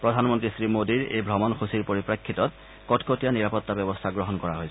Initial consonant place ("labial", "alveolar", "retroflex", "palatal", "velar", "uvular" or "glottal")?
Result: labial